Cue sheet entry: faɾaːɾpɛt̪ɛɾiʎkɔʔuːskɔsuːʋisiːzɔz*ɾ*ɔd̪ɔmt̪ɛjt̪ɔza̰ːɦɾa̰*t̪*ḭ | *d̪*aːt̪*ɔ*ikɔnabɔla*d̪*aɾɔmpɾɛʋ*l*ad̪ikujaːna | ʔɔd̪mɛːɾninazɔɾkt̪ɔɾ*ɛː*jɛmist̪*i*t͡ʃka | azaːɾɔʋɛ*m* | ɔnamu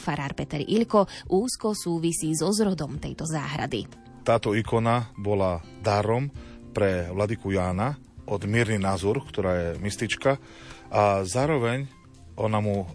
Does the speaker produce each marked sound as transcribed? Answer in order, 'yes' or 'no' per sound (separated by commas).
yes, no, no, yes, yes, yes, no, yes, no